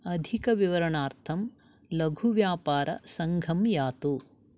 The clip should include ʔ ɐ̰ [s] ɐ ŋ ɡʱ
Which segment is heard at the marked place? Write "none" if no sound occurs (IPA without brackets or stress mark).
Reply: s